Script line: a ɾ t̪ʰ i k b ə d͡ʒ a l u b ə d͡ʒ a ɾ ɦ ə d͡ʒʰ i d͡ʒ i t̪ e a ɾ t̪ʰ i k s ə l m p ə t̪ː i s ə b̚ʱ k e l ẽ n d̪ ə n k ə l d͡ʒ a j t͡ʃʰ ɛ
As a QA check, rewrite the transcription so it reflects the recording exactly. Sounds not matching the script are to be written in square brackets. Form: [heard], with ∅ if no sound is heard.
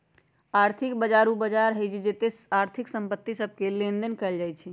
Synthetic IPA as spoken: a ɾ t̪ʰ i k b ə d͡ʒ a [ɾ] u b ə d͡ʒ a ɾ ɦ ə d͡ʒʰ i d͡ʒ [e] t̪ e a ɾ t̪ʰ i k s ə [∅] m p ə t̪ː i s ə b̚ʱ k e l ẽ n d̪ ə n k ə l d͡ʒ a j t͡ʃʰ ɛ